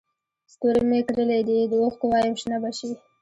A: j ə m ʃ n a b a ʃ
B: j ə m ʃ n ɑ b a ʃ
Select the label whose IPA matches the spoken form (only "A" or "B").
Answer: A